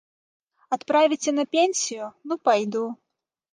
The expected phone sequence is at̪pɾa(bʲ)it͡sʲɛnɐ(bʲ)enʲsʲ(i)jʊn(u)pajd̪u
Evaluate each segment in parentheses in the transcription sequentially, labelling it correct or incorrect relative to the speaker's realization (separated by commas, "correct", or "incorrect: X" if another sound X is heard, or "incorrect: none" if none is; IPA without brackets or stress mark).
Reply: incorrect: vʲ, incorrect: pʲ, correct, correct